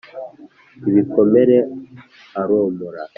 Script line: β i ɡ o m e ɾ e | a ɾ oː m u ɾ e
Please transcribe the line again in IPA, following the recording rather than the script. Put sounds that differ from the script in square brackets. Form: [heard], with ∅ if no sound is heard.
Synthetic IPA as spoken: β i [k] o m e ɾ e | a ɾ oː m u ɾ [a]